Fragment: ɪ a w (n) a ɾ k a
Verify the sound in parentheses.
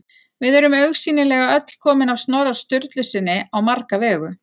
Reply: incorrect: m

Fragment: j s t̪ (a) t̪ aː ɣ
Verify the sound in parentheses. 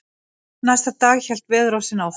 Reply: correct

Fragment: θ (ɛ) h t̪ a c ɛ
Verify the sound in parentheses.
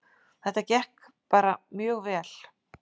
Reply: correct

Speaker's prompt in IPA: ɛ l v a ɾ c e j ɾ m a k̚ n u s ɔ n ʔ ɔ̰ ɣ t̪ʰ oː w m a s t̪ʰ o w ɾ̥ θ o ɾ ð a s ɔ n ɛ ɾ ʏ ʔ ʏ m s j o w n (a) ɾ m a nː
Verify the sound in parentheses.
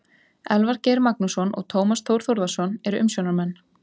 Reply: correct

